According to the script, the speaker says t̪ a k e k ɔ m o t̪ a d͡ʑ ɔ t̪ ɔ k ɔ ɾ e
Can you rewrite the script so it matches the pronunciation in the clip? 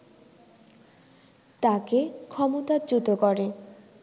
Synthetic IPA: t̪ a k e kʰ ɔ m o t̪ a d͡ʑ u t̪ o k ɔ ɾ e